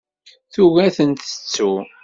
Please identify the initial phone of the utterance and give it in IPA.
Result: θ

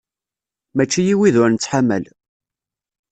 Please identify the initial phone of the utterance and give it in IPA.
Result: m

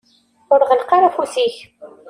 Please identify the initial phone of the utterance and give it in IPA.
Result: ʊ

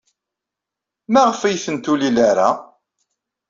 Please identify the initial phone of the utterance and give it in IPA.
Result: m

